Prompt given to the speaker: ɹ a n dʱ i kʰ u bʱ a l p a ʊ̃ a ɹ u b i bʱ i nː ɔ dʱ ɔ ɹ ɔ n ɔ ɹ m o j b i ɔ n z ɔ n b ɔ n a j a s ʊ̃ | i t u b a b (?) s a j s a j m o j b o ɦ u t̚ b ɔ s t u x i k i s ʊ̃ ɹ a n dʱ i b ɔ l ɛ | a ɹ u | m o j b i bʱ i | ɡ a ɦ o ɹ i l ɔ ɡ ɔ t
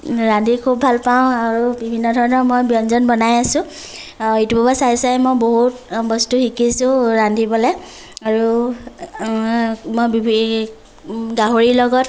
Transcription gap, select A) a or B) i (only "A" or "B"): A